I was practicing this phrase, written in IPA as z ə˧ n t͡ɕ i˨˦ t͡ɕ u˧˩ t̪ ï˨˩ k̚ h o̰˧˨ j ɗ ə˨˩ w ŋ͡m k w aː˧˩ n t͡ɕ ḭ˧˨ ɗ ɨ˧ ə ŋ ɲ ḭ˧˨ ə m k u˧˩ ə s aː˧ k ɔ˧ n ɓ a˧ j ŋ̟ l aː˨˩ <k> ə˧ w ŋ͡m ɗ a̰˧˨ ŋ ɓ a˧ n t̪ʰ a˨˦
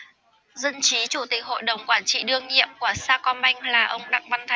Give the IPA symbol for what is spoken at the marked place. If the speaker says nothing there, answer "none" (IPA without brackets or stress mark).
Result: ʔ